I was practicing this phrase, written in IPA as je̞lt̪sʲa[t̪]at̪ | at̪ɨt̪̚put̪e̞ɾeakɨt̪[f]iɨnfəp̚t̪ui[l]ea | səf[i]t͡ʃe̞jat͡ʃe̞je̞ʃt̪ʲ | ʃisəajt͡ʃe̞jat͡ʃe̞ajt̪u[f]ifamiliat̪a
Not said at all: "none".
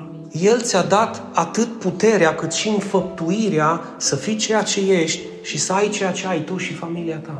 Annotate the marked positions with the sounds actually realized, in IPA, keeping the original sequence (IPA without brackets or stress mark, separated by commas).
d̪, ʃ, ɾ, i, ʃ